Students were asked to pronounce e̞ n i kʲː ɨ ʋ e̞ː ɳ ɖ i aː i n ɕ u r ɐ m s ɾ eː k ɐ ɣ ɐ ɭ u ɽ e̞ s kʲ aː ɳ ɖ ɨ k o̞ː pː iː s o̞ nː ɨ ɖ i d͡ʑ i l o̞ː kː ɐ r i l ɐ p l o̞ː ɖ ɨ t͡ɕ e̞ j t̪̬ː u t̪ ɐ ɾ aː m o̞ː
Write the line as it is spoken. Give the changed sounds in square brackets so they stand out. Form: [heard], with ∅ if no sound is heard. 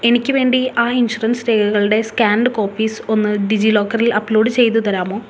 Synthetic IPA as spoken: e̞ n i kʲː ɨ ʋ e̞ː ɳ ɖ i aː i n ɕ u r ɐ [n] s ɾ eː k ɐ ɣ ɐ ɭ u ɽ e̞ s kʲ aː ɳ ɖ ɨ k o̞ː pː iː s o̞ nː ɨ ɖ i d͡ʑ i l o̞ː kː ɐ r i l ɐ p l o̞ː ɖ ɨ t͡ɕ e̞ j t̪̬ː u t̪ ɐ ɾ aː m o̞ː